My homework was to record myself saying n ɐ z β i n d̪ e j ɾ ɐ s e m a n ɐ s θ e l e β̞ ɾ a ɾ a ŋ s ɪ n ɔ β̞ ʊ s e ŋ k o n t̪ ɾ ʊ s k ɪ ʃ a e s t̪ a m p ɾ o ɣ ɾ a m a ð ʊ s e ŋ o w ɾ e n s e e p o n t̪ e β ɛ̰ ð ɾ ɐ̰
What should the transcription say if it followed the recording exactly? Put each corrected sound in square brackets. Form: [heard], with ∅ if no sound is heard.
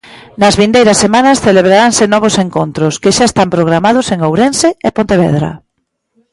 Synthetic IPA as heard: n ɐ z β i n d̪ e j ɾ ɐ s e m a n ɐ s θ e l e β̞ ɾ a ɾ a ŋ s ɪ n ɔ β̞ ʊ s e ŋ k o n t̪ ɾ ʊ s k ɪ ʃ a e s t̪ a m p ɾ o ɣ ɾ a m a ð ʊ s e ŋ o w ɾ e n s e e p o n t̪ e β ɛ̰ ð ɾ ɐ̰